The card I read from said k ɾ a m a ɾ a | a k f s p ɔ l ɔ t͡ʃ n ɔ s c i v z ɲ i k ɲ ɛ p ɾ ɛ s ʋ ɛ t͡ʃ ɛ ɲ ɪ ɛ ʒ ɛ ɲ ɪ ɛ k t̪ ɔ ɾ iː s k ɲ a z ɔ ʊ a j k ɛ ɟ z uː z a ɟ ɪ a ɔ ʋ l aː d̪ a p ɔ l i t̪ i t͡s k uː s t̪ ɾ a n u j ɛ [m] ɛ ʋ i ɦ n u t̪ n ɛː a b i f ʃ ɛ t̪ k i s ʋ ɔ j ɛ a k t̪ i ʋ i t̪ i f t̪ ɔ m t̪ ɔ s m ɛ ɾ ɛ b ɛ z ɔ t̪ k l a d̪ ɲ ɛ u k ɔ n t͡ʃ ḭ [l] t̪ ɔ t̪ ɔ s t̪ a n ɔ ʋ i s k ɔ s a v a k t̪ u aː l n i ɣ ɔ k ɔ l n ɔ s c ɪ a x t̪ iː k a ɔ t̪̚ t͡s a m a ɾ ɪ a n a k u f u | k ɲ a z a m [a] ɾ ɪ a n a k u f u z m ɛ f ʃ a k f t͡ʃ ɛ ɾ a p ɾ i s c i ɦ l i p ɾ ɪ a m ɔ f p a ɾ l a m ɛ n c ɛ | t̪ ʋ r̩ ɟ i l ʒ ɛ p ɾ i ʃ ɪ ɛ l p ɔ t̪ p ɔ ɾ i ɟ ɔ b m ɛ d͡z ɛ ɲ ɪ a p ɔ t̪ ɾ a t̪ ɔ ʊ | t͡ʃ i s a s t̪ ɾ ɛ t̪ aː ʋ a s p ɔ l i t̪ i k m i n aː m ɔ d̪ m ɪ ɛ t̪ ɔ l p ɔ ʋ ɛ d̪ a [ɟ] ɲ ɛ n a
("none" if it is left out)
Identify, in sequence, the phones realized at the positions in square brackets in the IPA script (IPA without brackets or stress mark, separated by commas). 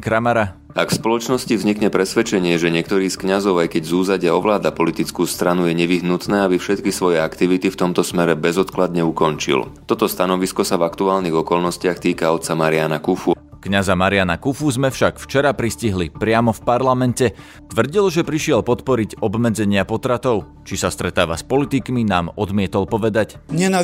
ɲ, l, a, c